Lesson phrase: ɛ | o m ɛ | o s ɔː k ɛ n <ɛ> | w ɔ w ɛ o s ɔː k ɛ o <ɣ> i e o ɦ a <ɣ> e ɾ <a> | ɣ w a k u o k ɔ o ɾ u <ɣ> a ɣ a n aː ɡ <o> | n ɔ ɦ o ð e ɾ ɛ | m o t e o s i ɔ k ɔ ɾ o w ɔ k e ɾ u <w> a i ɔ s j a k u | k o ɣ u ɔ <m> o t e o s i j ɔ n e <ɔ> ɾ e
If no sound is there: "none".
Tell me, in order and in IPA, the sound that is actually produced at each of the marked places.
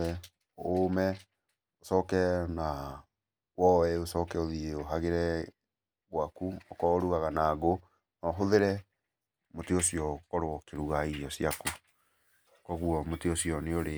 a, ð, ɣ, ɛ, ɣ, o, ɣ, m, o

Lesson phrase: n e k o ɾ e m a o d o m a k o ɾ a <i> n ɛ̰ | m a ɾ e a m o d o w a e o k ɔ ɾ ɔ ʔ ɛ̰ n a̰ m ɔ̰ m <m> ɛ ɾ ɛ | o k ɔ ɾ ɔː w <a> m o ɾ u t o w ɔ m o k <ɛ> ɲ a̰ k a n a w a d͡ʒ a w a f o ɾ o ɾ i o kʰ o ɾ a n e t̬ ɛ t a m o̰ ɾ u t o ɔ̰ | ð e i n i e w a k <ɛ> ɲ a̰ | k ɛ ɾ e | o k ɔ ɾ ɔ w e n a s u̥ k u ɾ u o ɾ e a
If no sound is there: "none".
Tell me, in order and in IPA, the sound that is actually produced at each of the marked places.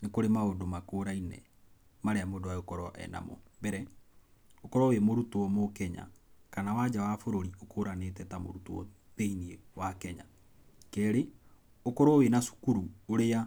i, b, e, ɛ, ɛ

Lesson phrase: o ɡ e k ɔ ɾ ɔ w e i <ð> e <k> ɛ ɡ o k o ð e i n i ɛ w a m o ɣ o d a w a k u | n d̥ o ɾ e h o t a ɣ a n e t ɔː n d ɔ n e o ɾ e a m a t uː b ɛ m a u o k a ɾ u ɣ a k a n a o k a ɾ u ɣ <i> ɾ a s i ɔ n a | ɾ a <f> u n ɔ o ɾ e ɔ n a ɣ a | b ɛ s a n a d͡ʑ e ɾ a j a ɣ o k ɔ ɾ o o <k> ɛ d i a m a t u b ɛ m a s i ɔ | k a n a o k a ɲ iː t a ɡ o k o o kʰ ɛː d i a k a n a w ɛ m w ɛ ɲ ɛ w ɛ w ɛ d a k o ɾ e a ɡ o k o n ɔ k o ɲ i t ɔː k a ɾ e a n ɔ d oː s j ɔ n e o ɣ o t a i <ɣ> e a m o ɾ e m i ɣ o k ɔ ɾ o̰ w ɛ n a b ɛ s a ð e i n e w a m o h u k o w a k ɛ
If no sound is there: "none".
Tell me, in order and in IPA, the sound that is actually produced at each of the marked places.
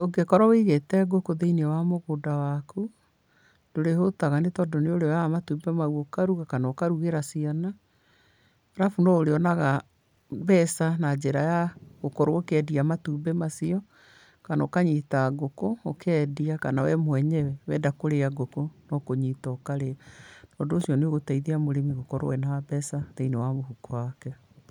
ɣ, t, e, f, k, ð

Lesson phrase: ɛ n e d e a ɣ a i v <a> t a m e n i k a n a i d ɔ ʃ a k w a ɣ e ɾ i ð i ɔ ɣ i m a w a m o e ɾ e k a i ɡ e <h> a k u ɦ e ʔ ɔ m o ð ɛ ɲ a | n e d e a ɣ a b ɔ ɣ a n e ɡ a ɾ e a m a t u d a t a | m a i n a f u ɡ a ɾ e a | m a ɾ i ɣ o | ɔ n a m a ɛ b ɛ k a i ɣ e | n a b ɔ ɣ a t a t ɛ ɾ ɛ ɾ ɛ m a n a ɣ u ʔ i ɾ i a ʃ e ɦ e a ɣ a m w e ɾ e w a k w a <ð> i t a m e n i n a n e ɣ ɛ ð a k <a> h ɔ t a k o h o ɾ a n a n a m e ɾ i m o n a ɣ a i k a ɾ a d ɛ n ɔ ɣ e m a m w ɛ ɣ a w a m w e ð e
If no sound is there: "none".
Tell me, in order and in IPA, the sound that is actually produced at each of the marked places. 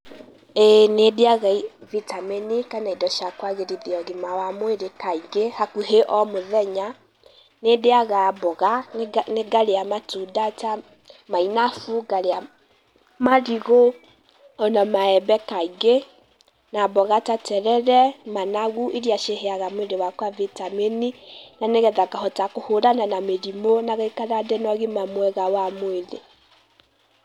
i, h, v, a

